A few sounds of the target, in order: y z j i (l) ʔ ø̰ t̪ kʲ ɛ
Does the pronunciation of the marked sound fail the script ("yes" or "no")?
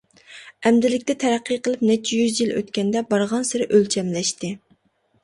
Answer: no